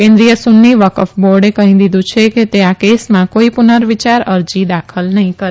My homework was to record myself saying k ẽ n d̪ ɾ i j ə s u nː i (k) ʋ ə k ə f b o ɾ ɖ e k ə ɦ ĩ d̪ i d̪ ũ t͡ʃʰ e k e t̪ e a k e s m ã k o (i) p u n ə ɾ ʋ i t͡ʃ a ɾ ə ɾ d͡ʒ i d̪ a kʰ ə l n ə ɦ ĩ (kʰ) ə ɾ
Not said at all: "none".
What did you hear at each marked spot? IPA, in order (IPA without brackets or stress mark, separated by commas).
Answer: none, i, k